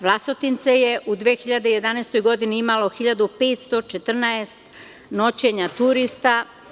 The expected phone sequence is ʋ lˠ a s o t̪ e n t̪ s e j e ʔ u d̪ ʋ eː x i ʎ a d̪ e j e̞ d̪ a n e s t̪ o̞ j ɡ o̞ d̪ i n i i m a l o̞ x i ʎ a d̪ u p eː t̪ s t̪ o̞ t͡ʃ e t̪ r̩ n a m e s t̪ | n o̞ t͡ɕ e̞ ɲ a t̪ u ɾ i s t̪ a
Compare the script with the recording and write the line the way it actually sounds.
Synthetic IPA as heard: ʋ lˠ a s o t̪ i n t̪ s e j e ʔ u d̪ ʋ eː x i ʎ a d̪ e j e̞ d̪ a n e s t̪ o̞ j ɡ o̞ d̪ i n i i m a l o̞ x i ʎ a d̪ u p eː t̪ s t̪ o̞ t͡ʃ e t̪ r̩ n a e s t̪ | n o̞ t͡ɕ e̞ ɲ a t̪ u ɾ i s t̪ a

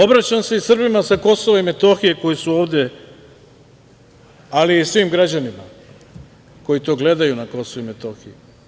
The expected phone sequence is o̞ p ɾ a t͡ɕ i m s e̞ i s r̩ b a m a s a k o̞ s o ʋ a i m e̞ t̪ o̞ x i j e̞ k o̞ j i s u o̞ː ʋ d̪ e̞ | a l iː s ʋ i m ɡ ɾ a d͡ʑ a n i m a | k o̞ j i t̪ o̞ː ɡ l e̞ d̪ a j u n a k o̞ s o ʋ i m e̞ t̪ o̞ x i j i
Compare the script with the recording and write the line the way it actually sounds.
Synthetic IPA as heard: o̞ b ɾ a t͡ɕ a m s e̞ i s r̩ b i m a s a k o̞ s o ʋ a i m e̞ t̪ o̞ x i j e̞ k o̞ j i s u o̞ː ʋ d̪ e̞ | a l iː s ʋ i m ɡ ɾ a d͡ʑ a n i m a | k o̞ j i t̪ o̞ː ɡ l e̞ d̪ a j u n a k o̞ s o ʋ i m e̞ t̪ o̞ x i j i

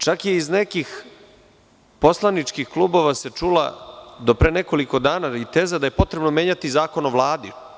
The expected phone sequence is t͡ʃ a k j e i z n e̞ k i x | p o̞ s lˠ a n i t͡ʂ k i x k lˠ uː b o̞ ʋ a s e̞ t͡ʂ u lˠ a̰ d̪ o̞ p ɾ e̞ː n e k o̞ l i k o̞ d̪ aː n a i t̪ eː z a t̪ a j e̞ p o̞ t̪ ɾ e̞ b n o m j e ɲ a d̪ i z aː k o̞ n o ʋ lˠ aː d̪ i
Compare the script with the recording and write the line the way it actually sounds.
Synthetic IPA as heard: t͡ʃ a k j e i z n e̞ k i x | p o̞ s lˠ a n i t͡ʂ k i x k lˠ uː b o̞ ʋ a s e̞ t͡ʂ u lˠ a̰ d̪ o̞ p ɾ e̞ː n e k o̞ l i k o̞ d̪ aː n a i t̪ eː z a d̪ a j e̞ p o̞ t̪ ɾ e̞ b n o m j e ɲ a t̪ i z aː k o̞ n o ʋ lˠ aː d̪ i

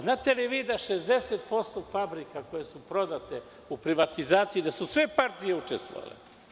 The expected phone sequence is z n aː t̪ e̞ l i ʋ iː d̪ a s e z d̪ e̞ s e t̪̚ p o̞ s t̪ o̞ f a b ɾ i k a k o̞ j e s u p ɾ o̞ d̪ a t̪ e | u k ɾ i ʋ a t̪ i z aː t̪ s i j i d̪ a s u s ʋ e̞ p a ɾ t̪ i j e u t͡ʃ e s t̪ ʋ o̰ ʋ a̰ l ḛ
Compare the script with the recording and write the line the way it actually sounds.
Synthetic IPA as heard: z n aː t̪ e̞ l i ʋ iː d̪ a ʃ e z d̪ e̞ s e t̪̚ p o̞ s t̪ o̞ f a b ɾ i k a k o̞ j e s u p ɾ o̞ d̪ a t̪ e | u p ɾ i ʋ a t̪ i z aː t̪ s i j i d̪ a s u s ʋ e̞ p a ɾ t̪ i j e u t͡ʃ e s t̪ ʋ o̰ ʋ a̰ l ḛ

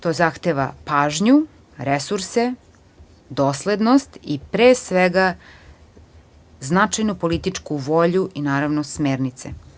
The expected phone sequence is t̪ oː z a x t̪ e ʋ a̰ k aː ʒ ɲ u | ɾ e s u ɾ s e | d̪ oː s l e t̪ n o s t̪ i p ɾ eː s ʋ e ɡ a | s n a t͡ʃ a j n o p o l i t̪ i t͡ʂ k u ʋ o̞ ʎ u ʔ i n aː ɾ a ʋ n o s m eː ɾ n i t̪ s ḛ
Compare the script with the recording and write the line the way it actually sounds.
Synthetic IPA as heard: t̪ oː z a x t̪ e ʋ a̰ p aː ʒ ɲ u | ɾ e s u ɾ s e | d̪ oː s l e d̪ n o s t̪ i p ɾ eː s ʋ e ɡ a | z n a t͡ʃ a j n u p o l i t̪ i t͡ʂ k u ʋ o̞ ʎ u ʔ i n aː ɾ a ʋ n o s m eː ɾ n i t̪ s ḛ

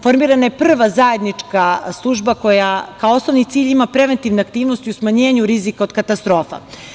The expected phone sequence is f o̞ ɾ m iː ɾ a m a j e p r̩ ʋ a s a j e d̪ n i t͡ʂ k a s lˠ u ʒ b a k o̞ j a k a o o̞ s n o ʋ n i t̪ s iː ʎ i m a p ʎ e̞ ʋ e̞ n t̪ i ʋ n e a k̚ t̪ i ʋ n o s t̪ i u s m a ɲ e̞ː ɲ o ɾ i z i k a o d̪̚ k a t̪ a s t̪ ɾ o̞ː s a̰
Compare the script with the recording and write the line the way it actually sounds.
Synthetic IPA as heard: f o̞ ɾ m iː ɾ a n a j e p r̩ ʋ a z a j e d̪ n i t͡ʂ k a s lˠ u ʒ b a k o̞ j a k a o o̞ s n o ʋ n i t̪ s iː ʎ i m a p ɾ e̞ ʋ e̞ n t̪ i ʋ n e a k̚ t̪ iː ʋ n o s t̪ i u s m a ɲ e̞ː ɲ u ɾ i z i k a o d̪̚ k a t̪ a s t̪ ɾ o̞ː f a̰

